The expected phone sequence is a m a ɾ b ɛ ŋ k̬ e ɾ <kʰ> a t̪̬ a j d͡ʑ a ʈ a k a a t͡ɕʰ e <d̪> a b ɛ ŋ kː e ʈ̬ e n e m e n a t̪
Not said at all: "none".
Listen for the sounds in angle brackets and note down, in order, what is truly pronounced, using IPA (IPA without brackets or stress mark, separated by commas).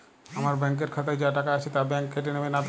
kʰ, t̪